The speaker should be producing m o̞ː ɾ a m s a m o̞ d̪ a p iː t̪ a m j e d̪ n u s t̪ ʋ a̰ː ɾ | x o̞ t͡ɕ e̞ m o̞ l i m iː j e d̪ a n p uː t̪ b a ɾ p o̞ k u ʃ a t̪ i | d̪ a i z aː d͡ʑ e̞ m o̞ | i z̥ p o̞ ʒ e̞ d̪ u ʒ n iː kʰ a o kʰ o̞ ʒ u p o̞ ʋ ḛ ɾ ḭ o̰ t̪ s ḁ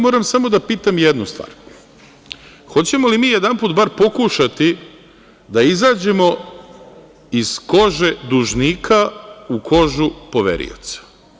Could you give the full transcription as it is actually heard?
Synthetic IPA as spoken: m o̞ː ɾ a m s a m o̞ d̪ a p iː t̪ a m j e d̪ n u s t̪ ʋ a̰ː ɾ | x o̞ t͡ɕ e̞ m o̞ l i m iː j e d̪ a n p uː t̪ b a ɾ p o̞ k u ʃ a t̪ i | d̪ a i z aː d͡ʑ e̞ m o̞ | i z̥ k o̞ ʒ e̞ d̪ u ʒ n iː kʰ a u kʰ o̞ ʒ u p o̞ ʋ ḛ ɾ ḭ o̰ t̪ s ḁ